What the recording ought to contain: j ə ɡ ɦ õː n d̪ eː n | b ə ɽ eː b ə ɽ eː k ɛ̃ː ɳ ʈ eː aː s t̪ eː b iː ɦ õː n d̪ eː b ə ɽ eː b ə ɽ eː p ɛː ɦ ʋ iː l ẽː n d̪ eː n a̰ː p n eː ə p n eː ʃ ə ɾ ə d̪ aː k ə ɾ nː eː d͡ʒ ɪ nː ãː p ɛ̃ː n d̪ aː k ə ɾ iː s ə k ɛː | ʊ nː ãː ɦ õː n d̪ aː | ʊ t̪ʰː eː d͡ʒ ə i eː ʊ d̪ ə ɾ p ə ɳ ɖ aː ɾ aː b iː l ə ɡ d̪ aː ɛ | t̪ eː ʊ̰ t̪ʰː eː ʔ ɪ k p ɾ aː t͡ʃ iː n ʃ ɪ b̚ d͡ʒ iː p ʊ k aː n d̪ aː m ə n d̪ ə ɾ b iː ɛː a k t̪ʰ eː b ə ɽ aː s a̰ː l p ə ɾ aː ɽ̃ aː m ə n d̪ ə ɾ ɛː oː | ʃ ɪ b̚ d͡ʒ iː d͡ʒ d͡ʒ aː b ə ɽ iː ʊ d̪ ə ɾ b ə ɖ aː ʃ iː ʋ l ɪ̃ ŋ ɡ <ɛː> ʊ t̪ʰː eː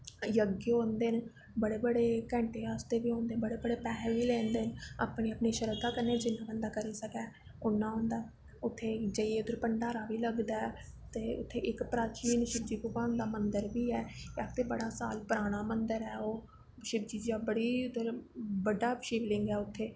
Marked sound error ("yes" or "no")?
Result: no